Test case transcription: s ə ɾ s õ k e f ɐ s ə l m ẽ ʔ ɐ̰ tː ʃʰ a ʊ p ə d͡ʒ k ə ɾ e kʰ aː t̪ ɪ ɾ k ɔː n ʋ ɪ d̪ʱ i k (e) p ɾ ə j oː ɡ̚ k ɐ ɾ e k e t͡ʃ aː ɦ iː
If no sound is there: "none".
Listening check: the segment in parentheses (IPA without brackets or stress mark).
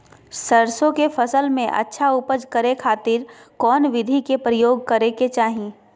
e